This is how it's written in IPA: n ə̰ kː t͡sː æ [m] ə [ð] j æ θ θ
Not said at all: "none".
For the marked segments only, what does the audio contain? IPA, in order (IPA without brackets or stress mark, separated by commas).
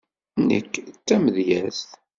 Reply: m, ð